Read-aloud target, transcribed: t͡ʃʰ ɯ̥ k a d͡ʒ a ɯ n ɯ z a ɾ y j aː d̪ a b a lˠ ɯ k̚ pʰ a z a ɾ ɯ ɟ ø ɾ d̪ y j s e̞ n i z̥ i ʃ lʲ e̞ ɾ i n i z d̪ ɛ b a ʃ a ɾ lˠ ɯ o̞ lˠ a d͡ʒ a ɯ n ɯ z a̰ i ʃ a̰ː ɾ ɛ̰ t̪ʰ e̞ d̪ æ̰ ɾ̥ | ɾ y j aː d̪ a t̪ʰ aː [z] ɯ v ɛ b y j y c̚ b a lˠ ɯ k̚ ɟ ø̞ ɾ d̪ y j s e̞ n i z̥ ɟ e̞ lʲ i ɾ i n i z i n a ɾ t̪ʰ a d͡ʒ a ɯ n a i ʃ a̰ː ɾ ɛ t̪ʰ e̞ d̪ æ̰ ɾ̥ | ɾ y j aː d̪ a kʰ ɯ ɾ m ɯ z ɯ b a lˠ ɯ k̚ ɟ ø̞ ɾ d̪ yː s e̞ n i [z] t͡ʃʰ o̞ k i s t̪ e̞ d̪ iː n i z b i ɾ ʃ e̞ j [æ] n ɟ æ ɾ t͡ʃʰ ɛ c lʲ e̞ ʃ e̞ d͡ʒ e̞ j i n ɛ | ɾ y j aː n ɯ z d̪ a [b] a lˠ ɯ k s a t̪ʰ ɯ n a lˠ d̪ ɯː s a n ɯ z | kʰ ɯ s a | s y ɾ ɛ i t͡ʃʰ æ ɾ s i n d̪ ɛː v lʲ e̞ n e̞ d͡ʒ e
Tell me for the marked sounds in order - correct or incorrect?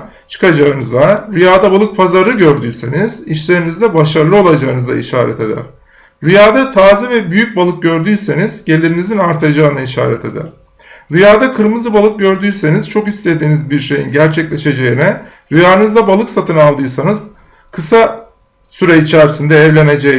correct, correct, incorrect, correct

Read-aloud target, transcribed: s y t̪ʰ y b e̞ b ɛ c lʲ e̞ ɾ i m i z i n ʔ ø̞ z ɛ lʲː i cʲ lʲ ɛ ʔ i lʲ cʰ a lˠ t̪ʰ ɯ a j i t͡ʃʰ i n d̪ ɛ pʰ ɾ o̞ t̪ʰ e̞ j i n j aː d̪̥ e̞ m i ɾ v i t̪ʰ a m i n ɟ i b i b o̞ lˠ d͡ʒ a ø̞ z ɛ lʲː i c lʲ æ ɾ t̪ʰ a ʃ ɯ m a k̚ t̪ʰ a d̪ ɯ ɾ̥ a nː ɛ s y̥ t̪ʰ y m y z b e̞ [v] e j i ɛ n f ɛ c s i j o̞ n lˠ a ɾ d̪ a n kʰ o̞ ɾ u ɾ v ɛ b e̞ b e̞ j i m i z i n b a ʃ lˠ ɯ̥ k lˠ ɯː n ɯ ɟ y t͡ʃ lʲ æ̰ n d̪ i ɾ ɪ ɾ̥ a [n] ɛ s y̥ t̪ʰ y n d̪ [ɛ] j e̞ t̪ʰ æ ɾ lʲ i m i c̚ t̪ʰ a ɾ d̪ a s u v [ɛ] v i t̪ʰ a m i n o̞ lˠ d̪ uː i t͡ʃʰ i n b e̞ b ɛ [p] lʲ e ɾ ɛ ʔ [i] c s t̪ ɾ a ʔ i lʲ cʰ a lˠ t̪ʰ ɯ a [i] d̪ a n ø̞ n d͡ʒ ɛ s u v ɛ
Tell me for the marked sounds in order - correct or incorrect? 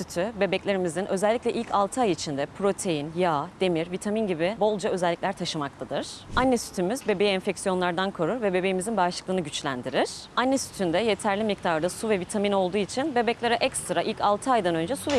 incorrect, incorrect, correct, correct, incorrect, incorrect, incorrect

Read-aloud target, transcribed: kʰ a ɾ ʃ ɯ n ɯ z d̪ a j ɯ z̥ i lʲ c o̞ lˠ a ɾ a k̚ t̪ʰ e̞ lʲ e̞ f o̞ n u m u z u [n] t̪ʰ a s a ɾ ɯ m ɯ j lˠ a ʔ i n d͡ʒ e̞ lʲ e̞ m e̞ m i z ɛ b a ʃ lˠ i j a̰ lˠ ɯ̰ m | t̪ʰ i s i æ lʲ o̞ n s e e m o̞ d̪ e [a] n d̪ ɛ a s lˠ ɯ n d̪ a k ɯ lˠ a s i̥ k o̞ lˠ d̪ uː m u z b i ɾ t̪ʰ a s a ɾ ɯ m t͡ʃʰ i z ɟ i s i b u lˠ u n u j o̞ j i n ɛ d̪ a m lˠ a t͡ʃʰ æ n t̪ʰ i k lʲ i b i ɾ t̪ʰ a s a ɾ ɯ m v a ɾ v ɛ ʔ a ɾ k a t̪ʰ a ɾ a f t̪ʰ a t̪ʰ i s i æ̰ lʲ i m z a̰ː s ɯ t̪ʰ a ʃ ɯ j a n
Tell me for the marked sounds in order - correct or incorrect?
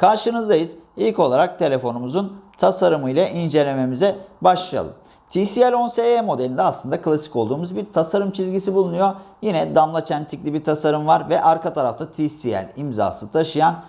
correct, incorrect

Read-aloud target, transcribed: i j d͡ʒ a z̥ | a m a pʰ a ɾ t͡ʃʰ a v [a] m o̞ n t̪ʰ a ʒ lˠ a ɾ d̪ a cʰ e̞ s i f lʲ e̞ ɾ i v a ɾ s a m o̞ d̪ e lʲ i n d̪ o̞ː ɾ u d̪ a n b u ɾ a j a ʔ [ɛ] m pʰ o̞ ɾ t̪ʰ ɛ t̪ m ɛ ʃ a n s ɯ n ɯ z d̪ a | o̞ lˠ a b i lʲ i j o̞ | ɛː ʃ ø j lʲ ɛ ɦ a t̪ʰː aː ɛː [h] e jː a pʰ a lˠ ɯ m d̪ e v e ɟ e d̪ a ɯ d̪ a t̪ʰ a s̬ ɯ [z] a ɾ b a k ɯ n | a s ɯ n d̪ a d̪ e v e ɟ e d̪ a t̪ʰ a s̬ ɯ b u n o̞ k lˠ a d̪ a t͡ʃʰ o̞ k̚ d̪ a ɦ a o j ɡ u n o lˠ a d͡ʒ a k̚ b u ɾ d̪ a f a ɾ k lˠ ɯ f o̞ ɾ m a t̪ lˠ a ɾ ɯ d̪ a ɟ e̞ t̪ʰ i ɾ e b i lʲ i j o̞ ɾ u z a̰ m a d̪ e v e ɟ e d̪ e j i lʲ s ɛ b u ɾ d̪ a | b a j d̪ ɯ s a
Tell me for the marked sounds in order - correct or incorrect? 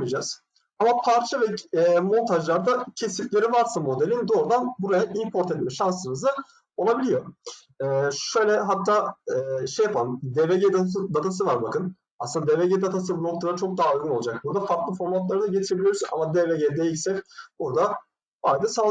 incorrect, incorrect, incorrect, incorrect

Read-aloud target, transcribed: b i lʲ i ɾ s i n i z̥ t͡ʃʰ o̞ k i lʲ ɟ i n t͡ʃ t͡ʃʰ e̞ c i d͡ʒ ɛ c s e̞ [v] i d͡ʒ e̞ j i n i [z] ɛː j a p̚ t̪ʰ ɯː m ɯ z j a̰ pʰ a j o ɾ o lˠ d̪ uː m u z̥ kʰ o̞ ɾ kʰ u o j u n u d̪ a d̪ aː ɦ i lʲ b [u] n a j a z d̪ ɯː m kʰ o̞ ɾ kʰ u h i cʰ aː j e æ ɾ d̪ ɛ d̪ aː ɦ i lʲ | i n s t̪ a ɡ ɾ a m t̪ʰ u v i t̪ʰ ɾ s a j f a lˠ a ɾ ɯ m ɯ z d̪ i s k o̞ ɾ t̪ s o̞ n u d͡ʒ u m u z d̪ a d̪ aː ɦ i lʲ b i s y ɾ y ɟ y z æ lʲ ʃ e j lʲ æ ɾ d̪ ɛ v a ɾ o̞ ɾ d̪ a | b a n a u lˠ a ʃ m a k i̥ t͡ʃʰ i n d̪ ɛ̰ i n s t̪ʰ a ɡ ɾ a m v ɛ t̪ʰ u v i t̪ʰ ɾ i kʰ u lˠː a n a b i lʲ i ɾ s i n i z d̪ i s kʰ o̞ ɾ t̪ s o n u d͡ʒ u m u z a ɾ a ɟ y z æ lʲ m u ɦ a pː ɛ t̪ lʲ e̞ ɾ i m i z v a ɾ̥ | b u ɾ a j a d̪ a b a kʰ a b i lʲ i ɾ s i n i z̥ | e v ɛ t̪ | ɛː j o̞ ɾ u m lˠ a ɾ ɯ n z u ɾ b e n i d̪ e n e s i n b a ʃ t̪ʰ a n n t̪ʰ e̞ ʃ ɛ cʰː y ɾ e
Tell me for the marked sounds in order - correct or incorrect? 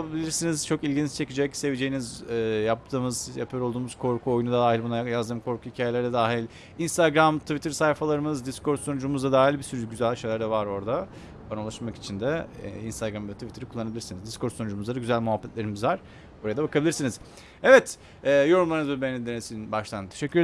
correct, correct, correct

